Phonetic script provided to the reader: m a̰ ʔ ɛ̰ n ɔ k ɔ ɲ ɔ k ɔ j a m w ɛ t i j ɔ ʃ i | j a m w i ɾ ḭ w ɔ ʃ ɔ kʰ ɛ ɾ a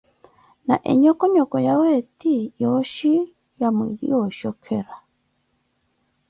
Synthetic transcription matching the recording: n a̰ ʔ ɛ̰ ɲ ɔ k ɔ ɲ ɔ k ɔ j a w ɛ t i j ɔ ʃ i | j a m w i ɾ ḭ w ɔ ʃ ɔ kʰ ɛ ɾ a